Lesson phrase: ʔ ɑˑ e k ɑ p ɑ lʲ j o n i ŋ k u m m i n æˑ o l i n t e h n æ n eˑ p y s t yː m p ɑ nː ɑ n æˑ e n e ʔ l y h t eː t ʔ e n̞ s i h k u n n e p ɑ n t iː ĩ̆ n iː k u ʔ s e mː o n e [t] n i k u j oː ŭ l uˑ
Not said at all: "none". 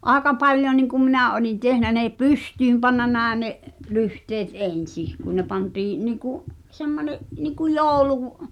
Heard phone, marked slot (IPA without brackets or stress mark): ʔ